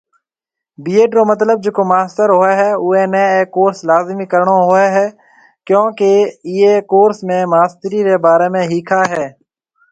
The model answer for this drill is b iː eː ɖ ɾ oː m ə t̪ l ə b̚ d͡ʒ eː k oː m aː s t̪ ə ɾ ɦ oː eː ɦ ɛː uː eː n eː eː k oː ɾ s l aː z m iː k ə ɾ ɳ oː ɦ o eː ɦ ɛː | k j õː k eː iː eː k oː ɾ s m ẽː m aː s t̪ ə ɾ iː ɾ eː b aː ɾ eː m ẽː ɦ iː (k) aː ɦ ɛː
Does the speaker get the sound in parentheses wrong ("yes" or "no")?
yes